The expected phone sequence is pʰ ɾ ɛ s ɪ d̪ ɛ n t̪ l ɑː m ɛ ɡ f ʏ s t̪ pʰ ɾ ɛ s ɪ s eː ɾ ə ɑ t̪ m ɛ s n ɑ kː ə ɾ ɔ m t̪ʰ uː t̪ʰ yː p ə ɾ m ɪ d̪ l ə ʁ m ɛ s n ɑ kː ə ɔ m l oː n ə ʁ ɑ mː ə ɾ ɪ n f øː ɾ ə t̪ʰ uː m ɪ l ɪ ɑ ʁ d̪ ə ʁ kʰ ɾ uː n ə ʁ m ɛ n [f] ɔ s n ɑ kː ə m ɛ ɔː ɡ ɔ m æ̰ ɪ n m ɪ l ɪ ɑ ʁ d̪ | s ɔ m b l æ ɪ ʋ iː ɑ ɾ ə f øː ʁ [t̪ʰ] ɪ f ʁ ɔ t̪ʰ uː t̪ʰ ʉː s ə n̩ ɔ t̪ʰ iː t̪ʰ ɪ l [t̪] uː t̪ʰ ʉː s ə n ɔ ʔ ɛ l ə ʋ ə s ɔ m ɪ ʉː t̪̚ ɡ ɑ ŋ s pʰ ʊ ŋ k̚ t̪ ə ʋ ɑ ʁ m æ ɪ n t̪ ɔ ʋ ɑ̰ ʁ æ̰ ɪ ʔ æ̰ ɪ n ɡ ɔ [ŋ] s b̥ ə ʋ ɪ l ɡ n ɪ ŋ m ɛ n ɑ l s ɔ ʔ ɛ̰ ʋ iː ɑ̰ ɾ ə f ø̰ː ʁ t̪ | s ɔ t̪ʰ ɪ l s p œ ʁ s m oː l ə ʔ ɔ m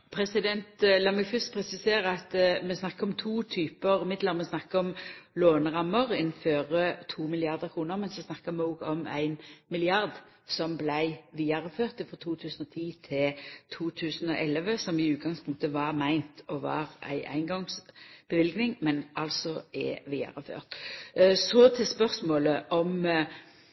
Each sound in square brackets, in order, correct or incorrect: incorrect, incorrect, incorrect, correct

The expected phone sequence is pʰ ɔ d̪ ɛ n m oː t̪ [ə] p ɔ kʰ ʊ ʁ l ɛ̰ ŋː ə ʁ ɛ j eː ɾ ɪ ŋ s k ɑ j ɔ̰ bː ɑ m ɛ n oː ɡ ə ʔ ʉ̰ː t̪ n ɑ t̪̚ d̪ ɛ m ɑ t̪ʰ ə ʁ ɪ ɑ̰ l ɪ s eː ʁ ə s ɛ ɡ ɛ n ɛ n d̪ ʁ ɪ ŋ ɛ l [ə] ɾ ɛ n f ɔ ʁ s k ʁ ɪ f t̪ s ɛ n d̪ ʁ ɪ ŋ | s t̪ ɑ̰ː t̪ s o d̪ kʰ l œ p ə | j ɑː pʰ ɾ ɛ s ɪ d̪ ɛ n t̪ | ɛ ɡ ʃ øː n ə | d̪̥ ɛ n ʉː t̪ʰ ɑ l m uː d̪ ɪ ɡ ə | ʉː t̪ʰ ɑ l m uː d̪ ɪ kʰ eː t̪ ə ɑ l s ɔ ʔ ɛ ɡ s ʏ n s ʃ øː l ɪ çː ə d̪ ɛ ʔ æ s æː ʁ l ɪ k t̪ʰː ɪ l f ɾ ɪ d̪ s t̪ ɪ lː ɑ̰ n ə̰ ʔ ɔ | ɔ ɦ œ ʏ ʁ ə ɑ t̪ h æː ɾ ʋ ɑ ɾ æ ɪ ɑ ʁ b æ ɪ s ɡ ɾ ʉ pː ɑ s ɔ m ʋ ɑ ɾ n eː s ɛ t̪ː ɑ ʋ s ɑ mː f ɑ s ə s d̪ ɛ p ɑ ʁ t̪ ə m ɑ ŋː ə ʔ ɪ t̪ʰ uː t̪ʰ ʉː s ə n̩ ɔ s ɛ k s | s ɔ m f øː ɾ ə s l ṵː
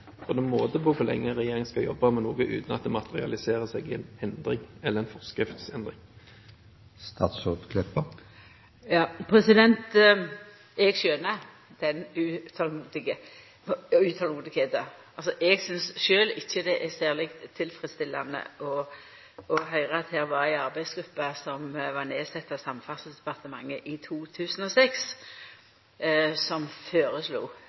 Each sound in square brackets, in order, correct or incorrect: correct, correct

